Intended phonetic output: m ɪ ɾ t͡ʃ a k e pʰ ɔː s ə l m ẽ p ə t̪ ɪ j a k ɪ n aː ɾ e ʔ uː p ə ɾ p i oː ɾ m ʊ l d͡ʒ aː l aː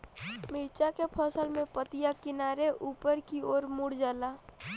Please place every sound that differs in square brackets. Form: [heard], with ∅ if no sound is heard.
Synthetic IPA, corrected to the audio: m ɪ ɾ t͡ʃ a k e pʰ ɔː s ə l m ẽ p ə t̪ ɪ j a k ɪ n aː ɾ e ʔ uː p ə ɾ [k] i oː ɾ m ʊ [ɽ] d͡ʒ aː l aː